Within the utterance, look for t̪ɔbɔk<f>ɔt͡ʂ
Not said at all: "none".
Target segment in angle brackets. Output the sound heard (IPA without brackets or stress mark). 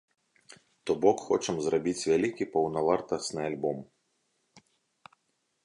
x